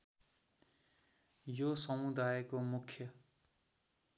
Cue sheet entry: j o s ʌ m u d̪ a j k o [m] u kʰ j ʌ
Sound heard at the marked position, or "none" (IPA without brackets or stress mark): m